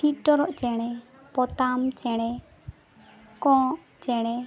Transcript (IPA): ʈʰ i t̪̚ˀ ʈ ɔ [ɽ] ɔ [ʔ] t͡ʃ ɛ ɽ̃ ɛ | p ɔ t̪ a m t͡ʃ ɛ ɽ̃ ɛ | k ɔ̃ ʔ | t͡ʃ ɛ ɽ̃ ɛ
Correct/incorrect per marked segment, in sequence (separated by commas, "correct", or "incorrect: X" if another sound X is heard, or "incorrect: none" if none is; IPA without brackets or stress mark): incorrect: ɾ, correct